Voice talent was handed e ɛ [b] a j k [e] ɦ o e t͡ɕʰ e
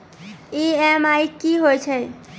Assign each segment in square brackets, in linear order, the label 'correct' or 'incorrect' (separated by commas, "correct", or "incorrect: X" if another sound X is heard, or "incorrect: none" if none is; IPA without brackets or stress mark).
incorrect: m, incorrect: i